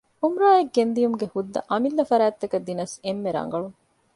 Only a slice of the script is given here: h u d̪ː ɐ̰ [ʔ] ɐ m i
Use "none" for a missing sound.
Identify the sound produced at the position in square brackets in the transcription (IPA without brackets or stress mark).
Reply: ʔ